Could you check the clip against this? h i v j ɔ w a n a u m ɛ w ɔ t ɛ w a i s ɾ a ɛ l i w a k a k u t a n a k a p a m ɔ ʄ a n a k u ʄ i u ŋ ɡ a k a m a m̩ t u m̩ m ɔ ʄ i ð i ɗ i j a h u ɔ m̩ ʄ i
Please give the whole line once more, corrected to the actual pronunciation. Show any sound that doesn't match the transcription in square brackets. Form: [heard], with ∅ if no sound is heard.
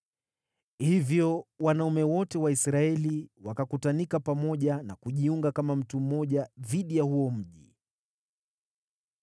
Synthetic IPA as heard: h i v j ɔ w a n a u m ɛ w ɔ t ɛ w a i s ɾ a ɛ l i w a k a k u t a n [i] k a p a m ɔ ʄ a n a k u ʄ i u ŋ ɡ a k a m a m̩ t u m̩ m ɔ ʄ [a] ð i ɗ i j a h u ɔ m̩ ʄ i